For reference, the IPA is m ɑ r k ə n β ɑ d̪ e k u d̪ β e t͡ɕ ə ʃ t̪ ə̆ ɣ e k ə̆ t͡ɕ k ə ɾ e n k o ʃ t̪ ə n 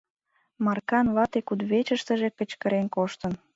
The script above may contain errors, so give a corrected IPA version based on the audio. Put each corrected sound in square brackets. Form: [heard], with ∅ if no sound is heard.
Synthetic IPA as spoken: m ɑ r k [ɑ] n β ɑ [t̪] e k u d̪ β e t͡ɕ ə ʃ t̪ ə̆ [ʒ] e k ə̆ t͡ɕ k ə ɾ e n k o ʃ t̪ ə n